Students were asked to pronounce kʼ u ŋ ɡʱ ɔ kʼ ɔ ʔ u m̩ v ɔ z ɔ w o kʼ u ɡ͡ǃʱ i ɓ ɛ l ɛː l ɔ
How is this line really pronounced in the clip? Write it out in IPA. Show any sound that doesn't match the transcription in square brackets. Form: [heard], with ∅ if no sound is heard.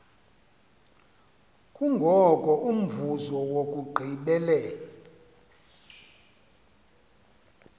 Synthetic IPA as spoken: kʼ u ŋ ɡʱ ɔ kʼ ɔ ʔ u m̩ v [u] z ɔ w o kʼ u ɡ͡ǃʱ i ɓ ɛ l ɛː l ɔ